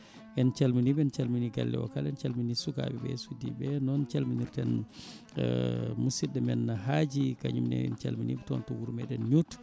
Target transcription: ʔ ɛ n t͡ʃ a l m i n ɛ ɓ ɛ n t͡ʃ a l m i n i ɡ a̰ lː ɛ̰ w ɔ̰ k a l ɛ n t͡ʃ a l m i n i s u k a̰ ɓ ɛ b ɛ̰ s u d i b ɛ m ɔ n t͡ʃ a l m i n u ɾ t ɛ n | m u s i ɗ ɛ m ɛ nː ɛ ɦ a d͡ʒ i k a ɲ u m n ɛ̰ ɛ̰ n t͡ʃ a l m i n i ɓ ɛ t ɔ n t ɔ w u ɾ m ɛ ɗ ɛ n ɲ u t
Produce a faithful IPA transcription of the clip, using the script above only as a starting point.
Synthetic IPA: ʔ ɛ n t͡ʃ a l m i n i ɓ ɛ n t͡ʃ a l m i n i ɡ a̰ lː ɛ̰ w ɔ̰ k a l ɛ n t͡ʃ a l m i n i s u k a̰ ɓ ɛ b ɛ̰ s u d i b ɛ n ɔ n t͡ʃ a l m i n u ɾ t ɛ n | m u s i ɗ ɛ m ɛ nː a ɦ a d͡ʒ i k a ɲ u m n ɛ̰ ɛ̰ n t͡ʃ a l m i n i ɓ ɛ t ɔ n t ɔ w u ɾ m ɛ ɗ ɛ n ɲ u t